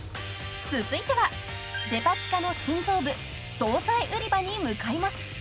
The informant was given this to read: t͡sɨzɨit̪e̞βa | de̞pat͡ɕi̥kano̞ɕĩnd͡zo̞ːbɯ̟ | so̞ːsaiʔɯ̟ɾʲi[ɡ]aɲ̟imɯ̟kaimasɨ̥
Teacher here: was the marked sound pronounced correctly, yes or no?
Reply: no